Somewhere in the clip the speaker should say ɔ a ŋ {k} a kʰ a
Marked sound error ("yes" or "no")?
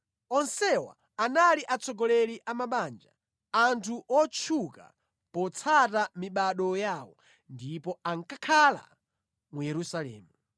no